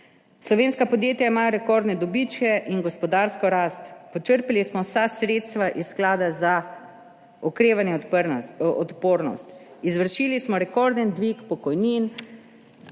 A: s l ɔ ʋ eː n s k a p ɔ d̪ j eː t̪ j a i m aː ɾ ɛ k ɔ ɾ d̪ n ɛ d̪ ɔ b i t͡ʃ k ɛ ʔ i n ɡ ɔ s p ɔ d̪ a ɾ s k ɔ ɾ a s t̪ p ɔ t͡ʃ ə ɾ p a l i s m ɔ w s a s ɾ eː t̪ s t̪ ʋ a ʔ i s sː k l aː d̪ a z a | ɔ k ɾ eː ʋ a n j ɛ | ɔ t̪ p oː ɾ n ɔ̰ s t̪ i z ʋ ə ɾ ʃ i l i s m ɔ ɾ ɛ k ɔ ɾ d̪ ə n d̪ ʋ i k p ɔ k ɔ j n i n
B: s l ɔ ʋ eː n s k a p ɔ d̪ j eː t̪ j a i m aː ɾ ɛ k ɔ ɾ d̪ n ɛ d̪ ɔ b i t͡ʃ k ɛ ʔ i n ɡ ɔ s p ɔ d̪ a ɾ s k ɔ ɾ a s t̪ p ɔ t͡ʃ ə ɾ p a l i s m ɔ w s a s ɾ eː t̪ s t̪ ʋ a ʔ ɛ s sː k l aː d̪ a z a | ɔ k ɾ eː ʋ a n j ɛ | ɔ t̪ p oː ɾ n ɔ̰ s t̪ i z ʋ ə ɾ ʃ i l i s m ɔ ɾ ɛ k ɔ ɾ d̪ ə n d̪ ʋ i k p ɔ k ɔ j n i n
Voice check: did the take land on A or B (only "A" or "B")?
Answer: A